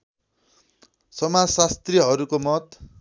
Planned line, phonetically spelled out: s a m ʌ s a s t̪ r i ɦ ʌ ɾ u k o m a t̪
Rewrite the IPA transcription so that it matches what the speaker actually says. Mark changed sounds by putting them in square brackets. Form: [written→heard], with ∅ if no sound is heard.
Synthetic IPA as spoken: s [a→ʌ] m [ʌ→a] s a s t̪ r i ɦ ʌ ɾ u k o m [a→ʌ] t̪